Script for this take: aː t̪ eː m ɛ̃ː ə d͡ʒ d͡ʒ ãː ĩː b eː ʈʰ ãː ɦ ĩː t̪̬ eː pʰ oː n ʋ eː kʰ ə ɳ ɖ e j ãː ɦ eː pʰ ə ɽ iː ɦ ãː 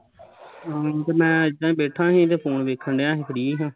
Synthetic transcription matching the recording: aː t̪ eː m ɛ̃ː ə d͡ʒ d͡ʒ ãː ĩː b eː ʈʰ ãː ɦ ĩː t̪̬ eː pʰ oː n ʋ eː kʰ ə ɳ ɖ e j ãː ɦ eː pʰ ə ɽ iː ɦ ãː

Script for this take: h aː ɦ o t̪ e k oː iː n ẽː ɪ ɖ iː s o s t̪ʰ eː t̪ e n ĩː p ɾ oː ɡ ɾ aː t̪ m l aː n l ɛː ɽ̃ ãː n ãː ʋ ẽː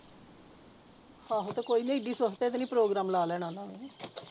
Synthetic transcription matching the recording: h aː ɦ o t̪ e k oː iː n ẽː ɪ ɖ iː s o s t̪ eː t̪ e n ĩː p ɾ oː ɡ ɾ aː m l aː l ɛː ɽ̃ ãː n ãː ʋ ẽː

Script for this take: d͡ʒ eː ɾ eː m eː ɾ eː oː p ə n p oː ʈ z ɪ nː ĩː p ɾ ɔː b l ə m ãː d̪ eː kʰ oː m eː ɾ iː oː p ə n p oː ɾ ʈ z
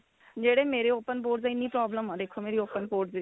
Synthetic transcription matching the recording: d͡ʒ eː ɽ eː m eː ɾ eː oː p ə n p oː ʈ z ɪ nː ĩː p ɾ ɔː b l ə m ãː d̪ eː kʰ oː m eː ɾ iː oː p ə n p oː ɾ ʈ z

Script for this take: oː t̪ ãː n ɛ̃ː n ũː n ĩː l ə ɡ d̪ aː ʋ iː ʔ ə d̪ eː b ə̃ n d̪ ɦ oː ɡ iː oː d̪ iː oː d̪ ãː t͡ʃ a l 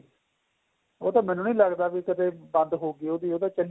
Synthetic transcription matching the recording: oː t̪ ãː m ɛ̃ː n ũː n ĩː l ə ɡ d̪ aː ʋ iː k ə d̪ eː b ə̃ n d̪ ɦ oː ɡ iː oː d̪ iː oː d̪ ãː t͡ʃ ə l

